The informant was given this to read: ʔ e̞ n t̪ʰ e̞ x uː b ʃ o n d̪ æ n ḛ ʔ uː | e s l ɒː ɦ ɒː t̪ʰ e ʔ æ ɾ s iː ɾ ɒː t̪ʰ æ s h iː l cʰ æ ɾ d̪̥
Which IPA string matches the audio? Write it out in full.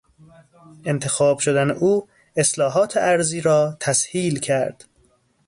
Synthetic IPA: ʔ e̞ n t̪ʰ e̞ x ɒː b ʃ o d̪ æ n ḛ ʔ uː | e s l ɒː ɦ ɒː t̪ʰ e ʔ æ ɾ z iː ɾ ɒː t̪ʰ æ s h iː l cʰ æ ɾ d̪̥